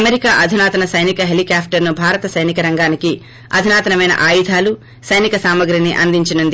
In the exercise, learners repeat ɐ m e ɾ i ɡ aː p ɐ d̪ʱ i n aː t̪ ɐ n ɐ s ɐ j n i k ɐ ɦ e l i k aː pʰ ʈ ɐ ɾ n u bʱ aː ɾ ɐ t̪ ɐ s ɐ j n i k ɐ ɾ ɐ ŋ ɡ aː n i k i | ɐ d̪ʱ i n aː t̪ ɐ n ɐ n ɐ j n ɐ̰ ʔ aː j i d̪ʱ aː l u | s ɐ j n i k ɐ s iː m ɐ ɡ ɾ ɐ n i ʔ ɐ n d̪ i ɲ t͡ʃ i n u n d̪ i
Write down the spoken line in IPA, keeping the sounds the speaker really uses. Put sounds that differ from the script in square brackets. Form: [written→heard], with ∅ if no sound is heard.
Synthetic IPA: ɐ m e ɾ i [ɡ→k] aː [p→ʔ] ɐ d̪ʱ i n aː t̪ ɐ n ɐ s ɐ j n i k ɐ ɦ e l i k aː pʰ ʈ ɐ ɾ n u bʱ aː ɾ ɐ t̪ ɐ s ɐ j n i k ɐ ɾ ɐ ŋ ɡ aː n i k i | ɐ d̪ʱ i n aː t̪ ɐ n ɐ [n→m] ɐ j n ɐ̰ ʔ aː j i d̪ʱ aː l u | s ɐ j n i k ɐ s [iː→aː] m ɐ ɡ ɾ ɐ n i ʔ ɐ n d̪ i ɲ t͡ʃ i n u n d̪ i